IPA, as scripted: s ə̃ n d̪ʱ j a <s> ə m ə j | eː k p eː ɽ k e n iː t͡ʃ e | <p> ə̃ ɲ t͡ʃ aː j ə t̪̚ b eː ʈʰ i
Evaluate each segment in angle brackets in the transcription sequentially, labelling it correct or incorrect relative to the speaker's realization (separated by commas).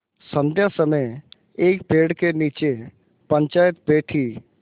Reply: correct, correct